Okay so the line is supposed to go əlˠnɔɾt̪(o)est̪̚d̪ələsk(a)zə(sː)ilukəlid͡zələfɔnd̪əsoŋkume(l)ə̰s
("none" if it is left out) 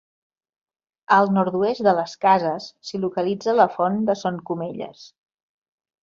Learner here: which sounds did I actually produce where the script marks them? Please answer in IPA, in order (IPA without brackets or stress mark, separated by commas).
u, a, sː, ʎ